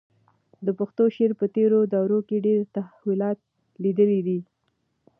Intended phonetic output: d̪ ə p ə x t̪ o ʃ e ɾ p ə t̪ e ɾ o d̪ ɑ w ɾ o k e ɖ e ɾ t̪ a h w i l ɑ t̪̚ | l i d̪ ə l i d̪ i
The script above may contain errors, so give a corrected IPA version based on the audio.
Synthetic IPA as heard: d̪ ə p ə x t̪ o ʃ e ɾ p ə t̪ e ɾ o d̪ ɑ w ɾ o k e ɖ e ɾ t̪ a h w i l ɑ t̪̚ | l i d̪ ə l i d̪ i